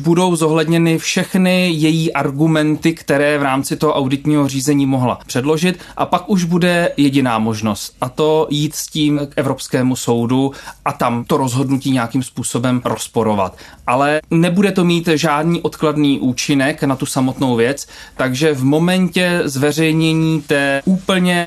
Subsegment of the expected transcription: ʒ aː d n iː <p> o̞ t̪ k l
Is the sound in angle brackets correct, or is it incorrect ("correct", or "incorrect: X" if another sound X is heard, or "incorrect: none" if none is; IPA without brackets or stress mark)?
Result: incorrect: ʔ